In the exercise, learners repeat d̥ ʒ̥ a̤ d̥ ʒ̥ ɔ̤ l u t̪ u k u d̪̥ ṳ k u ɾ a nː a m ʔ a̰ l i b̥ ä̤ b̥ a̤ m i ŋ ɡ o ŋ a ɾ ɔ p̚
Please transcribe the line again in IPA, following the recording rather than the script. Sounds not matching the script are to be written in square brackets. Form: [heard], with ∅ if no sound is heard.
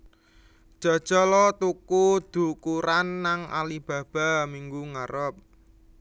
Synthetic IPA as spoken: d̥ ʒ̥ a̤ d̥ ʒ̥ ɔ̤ l [ɔ] t̪ u k u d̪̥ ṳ k u ɾ a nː a [ŋ] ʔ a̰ l i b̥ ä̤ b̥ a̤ m i ŋ ɡ [u] ŋ a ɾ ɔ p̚